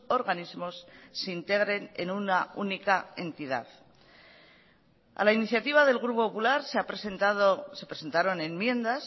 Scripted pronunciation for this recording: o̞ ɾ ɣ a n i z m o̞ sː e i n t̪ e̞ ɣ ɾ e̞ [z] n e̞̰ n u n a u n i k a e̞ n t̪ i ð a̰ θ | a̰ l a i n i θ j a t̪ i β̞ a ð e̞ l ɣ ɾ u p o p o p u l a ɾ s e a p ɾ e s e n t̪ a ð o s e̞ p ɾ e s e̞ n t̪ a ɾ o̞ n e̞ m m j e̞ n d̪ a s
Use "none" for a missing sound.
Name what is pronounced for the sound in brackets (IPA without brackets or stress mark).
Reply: none